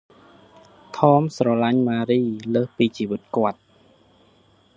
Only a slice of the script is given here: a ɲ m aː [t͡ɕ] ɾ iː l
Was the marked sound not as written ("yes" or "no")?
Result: yes